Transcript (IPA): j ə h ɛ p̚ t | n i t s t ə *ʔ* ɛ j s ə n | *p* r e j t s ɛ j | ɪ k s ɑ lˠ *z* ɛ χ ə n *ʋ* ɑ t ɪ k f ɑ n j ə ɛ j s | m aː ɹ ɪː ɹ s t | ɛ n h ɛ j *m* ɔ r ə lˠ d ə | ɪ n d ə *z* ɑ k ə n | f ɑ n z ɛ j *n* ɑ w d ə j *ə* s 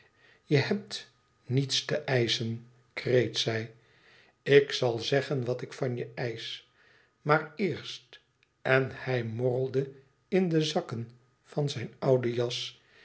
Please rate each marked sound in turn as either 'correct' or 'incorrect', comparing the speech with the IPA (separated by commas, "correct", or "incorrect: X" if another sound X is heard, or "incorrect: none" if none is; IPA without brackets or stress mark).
correct, incorrect: k, correct, correct, correct, correct, correct, incorrect: ɑ